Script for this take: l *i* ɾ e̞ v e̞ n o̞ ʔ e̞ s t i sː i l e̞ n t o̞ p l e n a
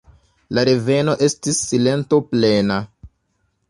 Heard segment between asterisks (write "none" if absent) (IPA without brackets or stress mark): a